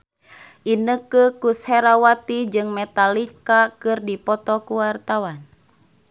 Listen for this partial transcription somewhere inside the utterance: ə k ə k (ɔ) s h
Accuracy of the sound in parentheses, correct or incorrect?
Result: incorrect